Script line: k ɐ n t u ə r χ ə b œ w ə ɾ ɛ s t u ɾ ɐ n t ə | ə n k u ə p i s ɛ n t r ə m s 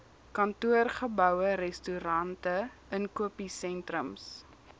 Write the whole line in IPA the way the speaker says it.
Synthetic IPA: k ɐ n t u ə r χ ə b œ w ə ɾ ɛ s t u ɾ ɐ n t ə | ə n k u ə p i s ɛ n t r ə m s